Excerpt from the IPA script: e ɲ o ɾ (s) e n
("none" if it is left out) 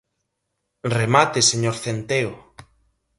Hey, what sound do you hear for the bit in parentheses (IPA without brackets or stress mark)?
θ